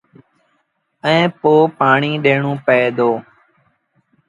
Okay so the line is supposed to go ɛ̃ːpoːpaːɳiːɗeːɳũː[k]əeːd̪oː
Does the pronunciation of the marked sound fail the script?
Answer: yes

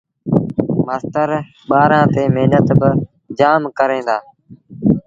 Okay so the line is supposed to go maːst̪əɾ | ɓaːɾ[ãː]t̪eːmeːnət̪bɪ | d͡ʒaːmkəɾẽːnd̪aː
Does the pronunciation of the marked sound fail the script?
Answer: no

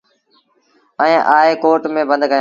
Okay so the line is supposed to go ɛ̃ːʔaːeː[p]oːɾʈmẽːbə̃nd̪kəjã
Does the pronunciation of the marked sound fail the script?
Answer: yes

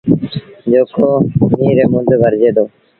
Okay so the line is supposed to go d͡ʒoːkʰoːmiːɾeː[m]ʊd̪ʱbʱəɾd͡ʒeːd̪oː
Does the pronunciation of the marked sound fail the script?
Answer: no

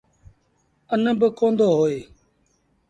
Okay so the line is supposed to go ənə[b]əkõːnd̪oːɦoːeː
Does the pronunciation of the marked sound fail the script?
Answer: no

